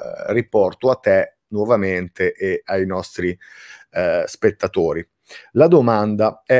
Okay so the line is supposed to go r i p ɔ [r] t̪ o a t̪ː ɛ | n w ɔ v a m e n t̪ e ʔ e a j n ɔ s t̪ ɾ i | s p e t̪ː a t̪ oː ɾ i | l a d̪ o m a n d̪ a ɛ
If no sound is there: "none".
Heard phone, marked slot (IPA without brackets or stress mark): r